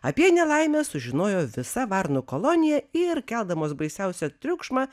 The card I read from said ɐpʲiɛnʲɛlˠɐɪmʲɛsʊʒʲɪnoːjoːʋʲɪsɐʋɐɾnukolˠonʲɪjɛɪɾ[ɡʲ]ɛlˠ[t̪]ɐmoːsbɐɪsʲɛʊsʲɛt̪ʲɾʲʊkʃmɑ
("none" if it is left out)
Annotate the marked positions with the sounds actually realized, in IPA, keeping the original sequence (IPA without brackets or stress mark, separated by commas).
kʲ, d̪